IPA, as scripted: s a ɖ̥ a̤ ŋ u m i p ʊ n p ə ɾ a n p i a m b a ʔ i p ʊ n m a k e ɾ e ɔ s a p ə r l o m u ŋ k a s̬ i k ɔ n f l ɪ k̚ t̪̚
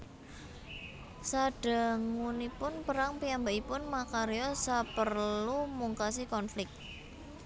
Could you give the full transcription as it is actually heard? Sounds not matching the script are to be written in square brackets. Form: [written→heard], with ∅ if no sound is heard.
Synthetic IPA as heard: s a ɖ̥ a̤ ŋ u [m→n] i p ʊ n p ə ɾ a [n→ŋ] p i a m b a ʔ i p ʊ n m a k [e→a] ɾ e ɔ s a p ə r l [o→u] m u ŋ k a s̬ i k ɔ n f l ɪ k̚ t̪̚